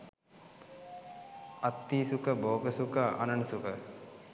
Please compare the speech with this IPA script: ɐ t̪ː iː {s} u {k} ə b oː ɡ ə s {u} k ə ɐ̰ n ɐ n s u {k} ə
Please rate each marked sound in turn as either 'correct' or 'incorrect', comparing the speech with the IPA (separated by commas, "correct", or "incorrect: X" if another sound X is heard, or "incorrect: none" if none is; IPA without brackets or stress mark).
correct, correct, correct, correct